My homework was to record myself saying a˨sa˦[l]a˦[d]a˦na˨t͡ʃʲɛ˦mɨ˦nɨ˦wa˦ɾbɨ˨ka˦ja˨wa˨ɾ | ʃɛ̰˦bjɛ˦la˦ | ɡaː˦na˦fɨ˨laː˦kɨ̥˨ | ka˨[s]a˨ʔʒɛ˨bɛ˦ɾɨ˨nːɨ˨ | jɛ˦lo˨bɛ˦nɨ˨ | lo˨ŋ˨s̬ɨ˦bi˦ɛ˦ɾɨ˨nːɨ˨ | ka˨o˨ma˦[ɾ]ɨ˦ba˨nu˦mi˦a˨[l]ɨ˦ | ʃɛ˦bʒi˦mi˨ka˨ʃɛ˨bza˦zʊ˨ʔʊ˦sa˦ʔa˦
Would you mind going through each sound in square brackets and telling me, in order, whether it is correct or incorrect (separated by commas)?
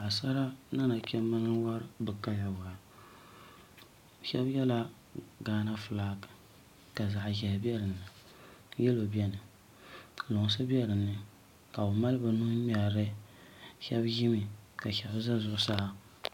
incorrect, incorrect, incorrect, incorrect, incorrect